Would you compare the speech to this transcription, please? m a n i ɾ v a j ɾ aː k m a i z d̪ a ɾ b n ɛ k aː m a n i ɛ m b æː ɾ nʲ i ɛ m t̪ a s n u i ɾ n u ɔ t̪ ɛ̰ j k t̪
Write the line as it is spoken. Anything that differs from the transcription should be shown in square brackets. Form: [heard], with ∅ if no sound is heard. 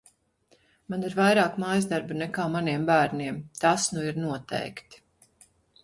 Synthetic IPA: m a n i ɾ v a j ɾ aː k m a [j] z d̪ a ɾ b n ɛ k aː m a n i ɛ m b æː ɾ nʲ i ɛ m t̪ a s n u i ɾ n u ɔ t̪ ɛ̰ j k t̪